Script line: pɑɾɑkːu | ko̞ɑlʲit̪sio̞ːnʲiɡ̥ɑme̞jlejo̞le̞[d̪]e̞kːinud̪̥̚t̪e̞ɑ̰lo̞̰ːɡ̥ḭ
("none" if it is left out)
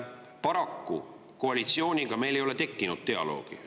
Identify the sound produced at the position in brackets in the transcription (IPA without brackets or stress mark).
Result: t̪